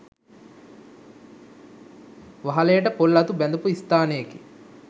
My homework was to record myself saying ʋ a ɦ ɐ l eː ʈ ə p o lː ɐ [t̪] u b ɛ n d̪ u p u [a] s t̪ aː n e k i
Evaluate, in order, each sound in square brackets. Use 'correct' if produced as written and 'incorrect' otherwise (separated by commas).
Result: correct, incorrect